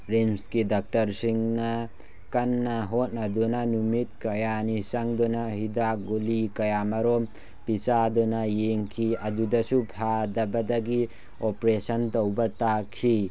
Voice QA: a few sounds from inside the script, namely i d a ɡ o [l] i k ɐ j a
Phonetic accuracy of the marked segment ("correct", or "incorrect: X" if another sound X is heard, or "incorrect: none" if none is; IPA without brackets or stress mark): correct